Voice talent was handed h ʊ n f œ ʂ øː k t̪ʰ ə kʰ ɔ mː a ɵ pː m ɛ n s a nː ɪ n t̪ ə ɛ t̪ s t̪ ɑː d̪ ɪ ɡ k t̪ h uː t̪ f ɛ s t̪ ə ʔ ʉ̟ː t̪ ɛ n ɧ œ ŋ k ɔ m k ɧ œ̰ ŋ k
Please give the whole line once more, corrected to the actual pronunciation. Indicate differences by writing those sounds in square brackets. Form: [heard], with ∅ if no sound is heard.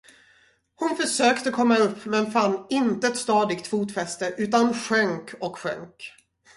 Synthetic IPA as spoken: h ʊ n f œ ʂ øː k [t̪] ə kʰ ɔ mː a ɵ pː m ɛ n [f] a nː ɪ n t̪ ə ɛ t̪ s t̪ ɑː d̪ ɪ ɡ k t̪ [f] uː t̪ f ɛ s t̪ ə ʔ ʉ̟ː t̪ [a] n ɧ œ ŋ k ɔ [∅] k ɧ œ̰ ŋ k

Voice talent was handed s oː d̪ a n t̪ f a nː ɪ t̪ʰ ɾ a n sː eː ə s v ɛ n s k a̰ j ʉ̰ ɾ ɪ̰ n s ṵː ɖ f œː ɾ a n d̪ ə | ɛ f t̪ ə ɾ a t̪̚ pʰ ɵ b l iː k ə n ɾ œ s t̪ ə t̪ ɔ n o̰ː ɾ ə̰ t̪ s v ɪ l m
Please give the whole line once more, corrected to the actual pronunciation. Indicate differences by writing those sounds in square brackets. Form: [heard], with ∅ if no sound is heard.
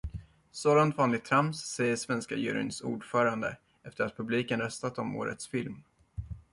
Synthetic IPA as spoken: s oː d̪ a n t̪ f a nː ɪ t̪ʰ ɾ a [m] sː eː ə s v ɛ n s k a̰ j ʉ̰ ɾ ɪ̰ n s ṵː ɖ f œː ɾ a n d̪ ə | ɛ f t̪ ə ɾ a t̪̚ pʰ ɵ b l iː k ə n ɾ œ s t̪ [a] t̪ ɔ [m] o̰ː ɾ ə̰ t̪ s [f] ɪ l m

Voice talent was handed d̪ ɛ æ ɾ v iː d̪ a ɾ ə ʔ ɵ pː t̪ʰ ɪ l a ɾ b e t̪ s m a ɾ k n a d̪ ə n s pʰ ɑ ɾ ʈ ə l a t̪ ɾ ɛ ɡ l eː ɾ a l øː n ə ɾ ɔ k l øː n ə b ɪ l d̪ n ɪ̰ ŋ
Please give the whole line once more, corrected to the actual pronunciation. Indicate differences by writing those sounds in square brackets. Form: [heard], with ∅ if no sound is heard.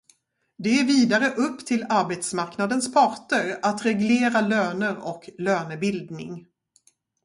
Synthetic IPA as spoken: d̪ ɛ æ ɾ v iː d̪ a ɾ ə ʔ ɵ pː t̪ʰ ɪ l a ɾ b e t̪ s m a ɾ k n a d̪ ə n s pʰ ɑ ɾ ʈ ə [ɾ] a t̪ ɾ ɛ ɡ l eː ɾ a l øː n ə ɾ ɔ k l øː n ə b ɪ l d̪ n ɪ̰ ŋ

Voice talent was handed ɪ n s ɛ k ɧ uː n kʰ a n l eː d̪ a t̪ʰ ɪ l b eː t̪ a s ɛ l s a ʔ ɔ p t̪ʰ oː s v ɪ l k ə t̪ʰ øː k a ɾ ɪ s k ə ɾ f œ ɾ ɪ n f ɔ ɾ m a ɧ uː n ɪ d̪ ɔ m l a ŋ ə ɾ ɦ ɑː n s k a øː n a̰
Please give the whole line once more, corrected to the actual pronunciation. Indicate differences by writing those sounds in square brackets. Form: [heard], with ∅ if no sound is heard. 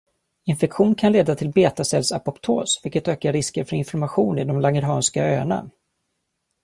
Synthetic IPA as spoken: ɪ n [f] ɛ k ɧ uː n kʰ a n l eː d̪ a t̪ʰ ɪ l b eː t̪ a s ɛ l s a [p] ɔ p t̪ʰ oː s v ɪ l k ə [t̪] øː k a ɾ ɪ s k ə ɾ f œ ɾ ɪ n f ɔ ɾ m a ɧ uː n ɪ d̪ ɔ m l a ŋ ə ɾ ɦ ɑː n s k a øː n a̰

